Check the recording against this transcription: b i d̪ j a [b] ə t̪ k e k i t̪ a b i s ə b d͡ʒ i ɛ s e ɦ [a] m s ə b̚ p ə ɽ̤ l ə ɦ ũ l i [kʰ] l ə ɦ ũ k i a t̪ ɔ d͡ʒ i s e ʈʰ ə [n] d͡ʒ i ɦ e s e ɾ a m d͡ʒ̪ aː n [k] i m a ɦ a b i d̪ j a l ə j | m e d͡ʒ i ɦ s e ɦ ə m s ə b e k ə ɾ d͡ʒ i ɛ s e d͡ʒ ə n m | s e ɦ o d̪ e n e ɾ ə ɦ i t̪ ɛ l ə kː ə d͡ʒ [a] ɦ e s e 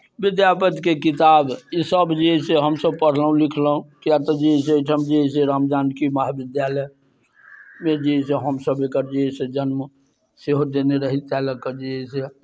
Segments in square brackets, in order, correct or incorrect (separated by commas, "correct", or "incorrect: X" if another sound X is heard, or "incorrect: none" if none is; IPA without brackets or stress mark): incorrect: p, incorrect: ə, correct, incorrect: m, correct, incorrect: i